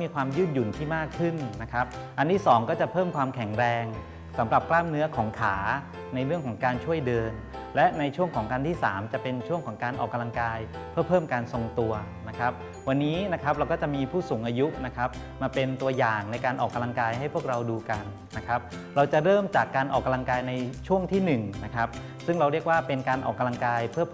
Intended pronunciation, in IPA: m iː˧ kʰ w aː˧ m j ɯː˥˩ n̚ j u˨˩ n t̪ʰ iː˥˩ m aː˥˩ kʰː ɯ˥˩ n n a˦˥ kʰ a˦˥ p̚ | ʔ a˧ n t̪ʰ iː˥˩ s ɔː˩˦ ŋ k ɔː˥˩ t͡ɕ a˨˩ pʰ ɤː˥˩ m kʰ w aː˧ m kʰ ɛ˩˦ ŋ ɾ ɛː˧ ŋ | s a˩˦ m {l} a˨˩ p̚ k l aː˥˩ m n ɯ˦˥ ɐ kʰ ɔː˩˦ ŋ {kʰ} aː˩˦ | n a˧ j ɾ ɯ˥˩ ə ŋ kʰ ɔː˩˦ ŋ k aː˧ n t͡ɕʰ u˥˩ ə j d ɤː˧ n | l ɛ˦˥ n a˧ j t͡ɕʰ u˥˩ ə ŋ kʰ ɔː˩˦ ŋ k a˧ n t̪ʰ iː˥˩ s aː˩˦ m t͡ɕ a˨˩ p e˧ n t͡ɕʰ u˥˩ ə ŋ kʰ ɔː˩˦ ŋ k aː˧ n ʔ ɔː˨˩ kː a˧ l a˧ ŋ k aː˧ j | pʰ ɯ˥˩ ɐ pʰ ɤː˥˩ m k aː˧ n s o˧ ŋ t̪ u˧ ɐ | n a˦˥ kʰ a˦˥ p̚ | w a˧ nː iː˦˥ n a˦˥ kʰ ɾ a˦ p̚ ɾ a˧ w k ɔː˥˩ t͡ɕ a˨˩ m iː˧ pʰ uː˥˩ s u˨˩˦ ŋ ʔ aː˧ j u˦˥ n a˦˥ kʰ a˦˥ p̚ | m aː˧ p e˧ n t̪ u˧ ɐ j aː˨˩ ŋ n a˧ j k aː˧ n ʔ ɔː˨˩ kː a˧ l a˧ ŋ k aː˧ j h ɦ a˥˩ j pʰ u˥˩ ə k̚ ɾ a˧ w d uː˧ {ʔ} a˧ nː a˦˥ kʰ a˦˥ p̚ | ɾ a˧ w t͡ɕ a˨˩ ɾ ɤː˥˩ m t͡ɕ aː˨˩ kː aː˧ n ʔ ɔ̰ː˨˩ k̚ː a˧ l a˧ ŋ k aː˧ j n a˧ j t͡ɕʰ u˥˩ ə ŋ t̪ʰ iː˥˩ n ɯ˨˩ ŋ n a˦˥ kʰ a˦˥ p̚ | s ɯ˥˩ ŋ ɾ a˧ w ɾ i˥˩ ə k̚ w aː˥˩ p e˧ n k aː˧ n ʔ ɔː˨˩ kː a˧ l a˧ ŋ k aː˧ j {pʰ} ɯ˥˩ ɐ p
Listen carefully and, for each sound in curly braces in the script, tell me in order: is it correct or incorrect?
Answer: incorrect: ɾ, correct, incorrect: k, correct

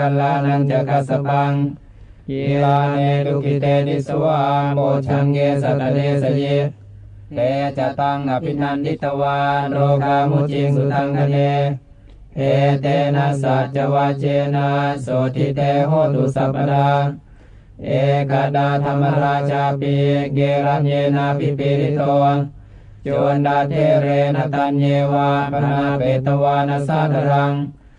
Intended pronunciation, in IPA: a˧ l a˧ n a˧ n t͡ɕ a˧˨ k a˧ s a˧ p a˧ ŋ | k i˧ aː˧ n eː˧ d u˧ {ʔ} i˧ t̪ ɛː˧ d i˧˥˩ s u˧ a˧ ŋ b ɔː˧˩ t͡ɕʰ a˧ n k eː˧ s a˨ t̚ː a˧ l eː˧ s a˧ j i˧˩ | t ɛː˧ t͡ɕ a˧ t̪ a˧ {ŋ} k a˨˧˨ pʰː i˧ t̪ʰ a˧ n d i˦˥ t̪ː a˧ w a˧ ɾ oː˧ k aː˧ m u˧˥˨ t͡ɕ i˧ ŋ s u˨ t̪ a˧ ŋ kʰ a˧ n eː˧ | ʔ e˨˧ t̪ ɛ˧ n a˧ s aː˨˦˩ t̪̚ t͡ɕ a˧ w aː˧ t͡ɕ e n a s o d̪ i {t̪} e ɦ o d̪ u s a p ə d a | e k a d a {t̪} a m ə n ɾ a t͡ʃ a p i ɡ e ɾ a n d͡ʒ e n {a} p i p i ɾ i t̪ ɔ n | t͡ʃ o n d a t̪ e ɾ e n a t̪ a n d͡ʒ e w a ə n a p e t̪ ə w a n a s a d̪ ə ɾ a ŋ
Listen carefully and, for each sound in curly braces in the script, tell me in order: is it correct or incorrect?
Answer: incorrect: k, correct, correct, correct, correct

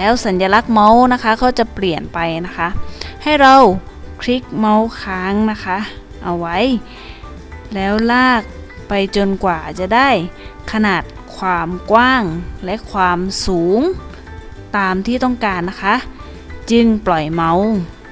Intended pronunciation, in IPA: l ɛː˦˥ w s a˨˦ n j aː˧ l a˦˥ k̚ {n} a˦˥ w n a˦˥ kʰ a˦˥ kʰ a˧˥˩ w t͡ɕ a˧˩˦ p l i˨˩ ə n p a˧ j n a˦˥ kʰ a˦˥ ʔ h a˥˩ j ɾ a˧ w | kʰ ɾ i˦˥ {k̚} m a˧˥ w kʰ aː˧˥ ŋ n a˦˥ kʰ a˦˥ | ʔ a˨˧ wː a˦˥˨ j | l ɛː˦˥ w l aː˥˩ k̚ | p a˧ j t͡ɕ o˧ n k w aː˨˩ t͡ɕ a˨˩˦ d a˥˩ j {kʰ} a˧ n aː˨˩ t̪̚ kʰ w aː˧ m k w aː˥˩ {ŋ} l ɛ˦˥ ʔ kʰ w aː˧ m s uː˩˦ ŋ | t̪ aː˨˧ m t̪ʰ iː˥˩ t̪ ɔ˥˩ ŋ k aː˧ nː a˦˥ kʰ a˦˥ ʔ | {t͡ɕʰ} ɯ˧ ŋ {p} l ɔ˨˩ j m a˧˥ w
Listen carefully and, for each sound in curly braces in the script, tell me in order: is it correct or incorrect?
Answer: incorrect: m, correct, correct, correct, incorrect: t͡ɕ, correct

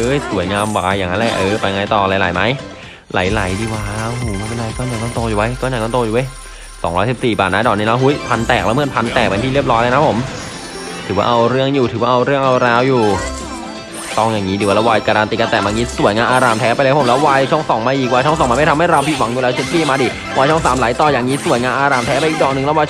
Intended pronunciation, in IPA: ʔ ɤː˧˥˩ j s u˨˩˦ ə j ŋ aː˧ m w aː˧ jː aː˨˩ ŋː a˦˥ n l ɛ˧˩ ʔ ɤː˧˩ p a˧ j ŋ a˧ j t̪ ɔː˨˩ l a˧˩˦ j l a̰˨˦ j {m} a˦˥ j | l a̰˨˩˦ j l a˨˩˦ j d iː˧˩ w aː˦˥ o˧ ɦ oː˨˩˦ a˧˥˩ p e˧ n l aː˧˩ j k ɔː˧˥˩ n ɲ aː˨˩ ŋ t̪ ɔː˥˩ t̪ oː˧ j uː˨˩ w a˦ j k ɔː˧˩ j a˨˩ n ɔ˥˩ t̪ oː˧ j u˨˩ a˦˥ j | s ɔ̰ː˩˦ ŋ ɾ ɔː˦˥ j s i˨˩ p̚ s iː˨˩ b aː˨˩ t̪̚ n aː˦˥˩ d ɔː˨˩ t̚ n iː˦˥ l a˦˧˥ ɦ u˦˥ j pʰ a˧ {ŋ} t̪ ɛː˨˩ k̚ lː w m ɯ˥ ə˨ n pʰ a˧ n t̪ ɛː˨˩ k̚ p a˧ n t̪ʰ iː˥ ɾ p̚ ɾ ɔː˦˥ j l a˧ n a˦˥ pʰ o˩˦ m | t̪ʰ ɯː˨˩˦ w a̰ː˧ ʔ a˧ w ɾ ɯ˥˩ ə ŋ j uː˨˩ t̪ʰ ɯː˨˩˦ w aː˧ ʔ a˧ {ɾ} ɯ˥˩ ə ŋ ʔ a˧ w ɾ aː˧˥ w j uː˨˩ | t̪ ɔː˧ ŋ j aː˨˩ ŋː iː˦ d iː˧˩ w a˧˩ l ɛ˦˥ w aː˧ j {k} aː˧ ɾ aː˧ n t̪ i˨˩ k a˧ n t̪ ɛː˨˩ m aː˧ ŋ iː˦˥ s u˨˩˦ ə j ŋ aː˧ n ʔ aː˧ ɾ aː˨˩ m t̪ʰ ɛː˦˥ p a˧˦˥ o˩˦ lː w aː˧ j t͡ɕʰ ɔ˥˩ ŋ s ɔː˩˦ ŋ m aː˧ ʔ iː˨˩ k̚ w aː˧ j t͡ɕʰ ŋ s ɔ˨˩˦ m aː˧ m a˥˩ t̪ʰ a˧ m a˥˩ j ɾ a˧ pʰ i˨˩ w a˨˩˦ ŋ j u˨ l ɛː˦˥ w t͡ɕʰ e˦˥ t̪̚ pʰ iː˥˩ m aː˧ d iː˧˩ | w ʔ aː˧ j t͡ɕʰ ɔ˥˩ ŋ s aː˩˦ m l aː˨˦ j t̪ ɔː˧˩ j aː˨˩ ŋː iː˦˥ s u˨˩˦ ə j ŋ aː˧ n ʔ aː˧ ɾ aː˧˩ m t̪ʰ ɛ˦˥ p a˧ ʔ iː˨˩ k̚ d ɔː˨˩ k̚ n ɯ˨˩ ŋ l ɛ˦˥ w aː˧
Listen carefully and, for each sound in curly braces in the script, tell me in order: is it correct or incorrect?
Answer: correct, incorrect: n, correct, correct

